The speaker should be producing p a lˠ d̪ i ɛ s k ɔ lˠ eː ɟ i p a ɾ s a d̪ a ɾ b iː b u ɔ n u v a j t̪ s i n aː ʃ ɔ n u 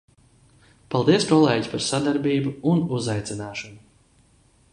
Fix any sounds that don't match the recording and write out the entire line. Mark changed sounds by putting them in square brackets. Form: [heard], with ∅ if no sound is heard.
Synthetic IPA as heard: p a lˠ d̪ i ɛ s k ɔ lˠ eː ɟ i p a ɾ s a d̪ a ɾ b iː b u [u] n u [z] a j t̪ s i n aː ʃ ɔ n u